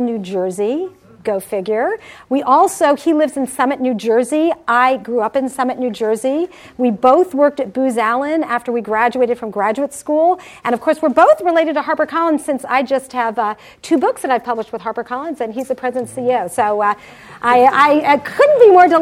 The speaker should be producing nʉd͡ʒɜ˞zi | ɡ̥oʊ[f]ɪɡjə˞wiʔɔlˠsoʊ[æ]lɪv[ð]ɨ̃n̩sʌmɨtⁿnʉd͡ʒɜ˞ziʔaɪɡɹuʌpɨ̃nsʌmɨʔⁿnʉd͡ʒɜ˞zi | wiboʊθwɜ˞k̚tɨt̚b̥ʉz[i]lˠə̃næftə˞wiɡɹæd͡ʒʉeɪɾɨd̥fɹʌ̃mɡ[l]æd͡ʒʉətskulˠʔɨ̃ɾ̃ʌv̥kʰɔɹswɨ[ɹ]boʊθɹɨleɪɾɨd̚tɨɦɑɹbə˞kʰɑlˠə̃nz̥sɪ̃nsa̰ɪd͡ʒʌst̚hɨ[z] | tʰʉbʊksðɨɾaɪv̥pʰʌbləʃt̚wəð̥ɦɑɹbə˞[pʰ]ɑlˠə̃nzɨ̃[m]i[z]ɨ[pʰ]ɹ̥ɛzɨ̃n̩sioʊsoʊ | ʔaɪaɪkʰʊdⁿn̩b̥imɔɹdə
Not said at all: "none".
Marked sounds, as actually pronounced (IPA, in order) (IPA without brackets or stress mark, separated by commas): f, i, z, æ, ɹ, ɹ, v, kʰ, n, z, pʰ